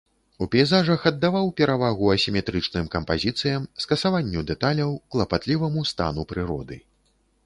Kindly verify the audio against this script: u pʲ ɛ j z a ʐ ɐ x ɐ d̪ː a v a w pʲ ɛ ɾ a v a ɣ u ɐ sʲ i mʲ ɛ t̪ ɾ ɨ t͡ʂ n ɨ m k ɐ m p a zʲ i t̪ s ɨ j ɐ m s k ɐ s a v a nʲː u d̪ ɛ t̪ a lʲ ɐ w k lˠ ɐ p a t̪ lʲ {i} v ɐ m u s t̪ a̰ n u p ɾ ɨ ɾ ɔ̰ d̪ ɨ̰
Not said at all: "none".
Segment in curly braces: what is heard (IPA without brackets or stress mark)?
i